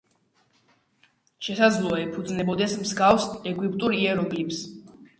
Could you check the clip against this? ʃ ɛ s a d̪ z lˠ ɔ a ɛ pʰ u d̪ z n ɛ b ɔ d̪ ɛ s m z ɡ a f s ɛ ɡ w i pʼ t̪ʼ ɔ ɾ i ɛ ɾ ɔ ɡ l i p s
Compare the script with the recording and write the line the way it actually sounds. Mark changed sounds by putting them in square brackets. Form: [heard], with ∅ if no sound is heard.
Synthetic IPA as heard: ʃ ɛ s a d̪ z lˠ ɔ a ɛ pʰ u d̪ z n ɛ b ɔ d̪ ɛ s m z ɡ a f s ɛ ɡ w i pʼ t̪ʼ [u] ɾ i ɛ ɾ ɔ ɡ l i p s